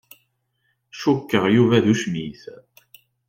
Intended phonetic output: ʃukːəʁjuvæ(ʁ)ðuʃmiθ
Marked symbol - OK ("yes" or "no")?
no